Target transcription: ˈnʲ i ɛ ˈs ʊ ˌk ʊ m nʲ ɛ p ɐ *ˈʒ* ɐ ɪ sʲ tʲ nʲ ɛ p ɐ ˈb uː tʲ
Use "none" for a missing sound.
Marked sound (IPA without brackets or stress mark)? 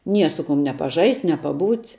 ʒ